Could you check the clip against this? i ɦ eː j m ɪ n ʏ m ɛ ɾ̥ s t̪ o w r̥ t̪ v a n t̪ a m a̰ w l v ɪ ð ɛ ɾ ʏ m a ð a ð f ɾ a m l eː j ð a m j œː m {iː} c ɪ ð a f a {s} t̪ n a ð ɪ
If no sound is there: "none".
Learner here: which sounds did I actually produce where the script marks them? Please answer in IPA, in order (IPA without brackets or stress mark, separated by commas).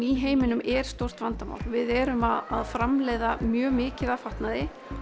ɪː, h